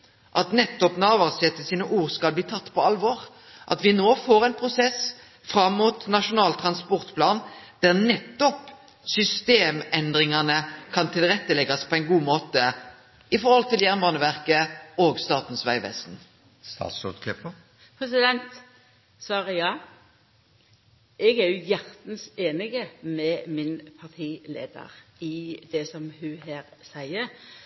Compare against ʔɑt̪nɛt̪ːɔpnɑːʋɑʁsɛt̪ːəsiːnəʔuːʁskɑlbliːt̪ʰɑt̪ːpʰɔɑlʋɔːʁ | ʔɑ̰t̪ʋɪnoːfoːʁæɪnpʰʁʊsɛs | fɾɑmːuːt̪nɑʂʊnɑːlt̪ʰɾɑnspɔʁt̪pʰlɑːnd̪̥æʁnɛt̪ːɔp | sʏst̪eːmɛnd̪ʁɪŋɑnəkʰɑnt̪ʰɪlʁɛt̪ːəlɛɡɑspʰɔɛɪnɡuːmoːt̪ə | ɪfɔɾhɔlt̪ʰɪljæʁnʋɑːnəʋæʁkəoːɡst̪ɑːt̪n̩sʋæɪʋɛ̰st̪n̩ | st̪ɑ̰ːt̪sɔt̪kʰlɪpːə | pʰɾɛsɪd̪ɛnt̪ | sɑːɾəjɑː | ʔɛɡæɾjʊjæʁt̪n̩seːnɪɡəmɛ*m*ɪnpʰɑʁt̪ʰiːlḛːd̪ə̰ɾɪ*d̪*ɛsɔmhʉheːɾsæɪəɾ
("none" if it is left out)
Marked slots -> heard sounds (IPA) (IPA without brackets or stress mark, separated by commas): m, d̪